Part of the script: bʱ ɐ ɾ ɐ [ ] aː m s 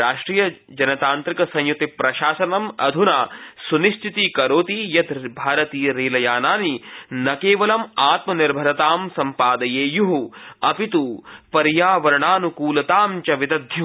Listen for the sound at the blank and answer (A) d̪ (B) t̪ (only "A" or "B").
B